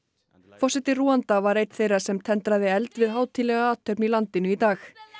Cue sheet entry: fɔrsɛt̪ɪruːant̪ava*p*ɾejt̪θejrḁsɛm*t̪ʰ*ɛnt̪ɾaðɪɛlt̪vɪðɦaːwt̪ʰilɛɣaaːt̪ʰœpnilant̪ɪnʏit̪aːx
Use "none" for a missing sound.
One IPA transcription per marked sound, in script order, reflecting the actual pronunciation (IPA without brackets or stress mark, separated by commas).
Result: none, t̪ʰ